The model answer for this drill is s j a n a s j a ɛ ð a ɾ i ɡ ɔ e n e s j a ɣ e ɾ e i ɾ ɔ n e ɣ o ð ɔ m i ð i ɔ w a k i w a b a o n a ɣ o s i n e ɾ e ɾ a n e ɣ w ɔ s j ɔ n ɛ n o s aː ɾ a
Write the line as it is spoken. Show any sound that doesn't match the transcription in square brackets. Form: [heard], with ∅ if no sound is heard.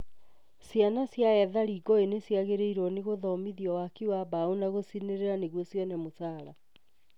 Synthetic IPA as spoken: s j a n a s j a ɛ ð a ɾ i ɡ ɔ e n e s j a ɣ e ɾ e i ɾ ɔ n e ɣ o ð ɔ m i ð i ɔ w a k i w a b a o n a ɣ o s i n e ɾ e ɾ a n e ɣ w ɔ s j ɔ n ɛ [m] o s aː ɾ a